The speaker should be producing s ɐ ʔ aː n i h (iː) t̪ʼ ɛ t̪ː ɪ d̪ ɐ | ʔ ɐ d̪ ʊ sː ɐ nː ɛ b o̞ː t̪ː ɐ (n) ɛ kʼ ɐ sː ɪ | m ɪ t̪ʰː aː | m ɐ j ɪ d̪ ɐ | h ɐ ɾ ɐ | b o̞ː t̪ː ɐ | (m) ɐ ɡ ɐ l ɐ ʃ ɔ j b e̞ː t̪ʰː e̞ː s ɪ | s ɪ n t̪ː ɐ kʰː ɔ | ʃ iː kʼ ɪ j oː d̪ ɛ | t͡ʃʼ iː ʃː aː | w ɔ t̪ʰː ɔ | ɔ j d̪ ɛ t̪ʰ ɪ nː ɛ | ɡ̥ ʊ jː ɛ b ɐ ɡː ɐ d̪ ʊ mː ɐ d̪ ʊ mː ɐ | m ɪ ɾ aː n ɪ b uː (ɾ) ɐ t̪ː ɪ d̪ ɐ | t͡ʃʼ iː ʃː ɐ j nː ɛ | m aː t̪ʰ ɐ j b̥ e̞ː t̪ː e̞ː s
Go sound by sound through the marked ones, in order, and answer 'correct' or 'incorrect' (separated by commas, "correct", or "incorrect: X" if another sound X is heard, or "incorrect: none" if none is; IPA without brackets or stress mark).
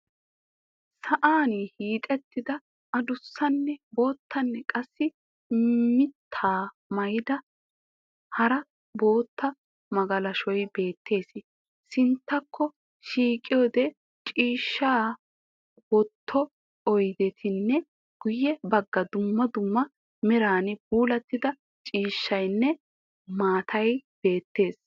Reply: correct, incorrect: nː, correct, incorrect: l